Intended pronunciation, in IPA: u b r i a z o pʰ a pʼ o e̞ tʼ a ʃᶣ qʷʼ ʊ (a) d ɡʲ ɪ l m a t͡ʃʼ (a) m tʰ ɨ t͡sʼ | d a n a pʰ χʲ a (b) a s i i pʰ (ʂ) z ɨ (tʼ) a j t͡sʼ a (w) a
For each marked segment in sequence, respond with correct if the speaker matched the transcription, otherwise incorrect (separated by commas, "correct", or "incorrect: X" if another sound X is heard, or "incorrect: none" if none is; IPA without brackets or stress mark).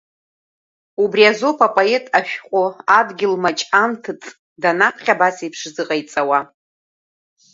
correct, correct, correct, correct, incorrect: qʼ, correct